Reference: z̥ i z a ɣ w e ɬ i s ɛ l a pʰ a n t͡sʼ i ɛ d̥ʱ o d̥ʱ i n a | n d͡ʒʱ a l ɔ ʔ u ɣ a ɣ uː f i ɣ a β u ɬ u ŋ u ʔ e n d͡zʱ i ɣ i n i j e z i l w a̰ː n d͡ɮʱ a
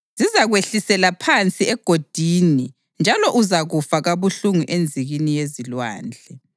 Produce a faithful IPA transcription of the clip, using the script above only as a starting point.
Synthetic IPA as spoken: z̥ i z a ɣ w e ɬ i s ɛ l a pʰ a n t͡sʼ i ɛ ɡ̥ʱ o d̥ʱ i n i | n d͡ʒʱ a l ɔ ʔ u z a ɣ u f a ɣ a β u ɬ u ŋ u ʔ e n d͡zʱ i ɣ i n i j e z i l w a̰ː n d͡ɮʱ ɛ